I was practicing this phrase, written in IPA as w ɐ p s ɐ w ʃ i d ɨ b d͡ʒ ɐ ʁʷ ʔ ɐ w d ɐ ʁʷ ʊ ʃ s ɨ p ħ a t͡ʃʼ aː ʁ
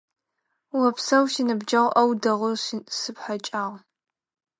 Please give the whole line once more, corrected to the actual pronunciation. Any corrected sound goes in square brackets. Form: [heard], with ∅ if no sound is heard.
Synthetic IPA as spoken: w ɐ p s ɐ w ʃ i [n] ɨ b d͡ʒ ɐ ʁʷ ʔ ɐ w d ɐ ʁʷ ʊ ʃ s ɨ p ħ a t͡ʃʼ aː ʁ